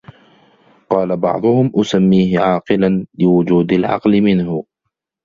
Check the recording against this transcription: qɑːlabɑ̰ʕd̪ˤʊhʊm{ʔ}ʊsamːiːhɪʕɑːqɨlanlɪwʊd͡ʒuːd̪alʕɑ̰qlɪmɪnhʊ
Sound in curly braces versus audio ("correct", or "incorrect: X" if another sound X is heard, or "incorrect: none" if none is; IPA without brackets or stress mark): correct